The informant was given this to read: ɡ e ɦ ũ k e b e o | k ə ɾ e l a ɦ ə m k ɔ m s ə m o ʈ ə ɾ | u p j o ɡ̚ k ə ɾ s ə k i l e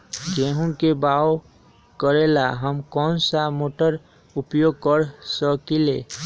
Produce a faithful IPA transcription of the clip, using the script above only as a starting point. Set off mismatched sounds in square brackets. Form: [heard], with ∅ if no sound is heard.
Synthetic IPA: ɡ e ɦ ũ k e b [a] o | k ə ɾ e l a ɦ ə m k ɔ [n] s [a] m o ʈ ə ɾ | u p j o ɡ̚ k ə ɾ s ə k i l e